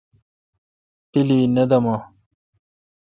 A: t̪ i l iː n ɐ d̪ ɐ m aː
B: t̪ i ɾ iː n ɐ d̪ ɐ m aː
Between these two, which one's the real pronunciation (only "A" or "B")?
A